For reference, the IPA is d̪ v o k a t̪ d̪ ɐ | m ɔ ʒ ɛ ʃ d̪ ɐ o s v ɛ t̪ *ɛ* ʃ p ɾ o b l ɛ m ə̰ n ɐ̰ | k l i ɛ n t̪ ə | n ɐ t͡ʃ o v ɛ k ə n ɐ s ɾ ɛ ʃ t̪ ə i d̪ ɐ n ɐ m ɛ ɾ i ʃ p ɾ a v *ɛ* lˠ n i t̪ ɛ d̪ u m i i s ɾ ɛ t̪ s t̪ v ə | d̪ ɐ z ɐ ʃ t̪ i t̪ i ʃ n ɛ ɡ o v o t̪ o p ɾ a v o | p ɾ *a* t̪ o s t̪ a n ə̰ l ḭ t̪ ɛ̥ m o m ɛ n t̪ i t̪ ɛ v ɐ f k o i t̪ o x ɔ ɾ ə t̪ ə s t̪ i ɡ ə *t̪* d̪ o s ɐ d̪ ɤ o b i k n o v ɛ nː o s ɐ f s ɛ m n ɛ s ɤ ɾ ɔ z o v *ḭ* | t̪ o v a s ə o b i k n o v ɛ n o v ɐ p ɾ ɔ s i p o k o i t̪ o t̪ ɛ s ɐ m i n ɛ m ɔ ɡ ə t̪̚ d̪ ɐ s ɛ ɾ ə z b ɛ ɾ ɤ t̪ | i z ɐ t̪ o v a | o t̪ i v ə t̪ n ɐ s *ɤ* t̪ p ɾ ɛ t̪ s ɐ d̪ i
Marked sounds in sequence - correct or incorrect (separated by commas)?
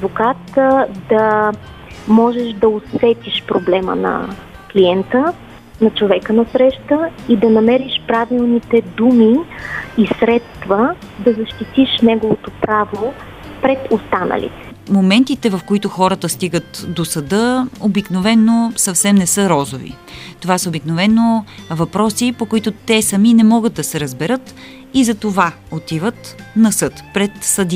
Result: incorrect, incorrect, incorrect, correct, correct, correct